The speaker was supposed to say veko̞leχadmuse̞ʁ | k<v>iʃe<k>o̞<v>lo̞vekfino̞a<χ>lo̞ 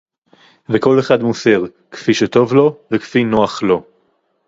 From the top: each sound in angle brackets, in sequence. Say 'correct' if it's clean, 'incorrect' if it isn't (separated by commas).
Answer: incorrect, incorrect, correct, correct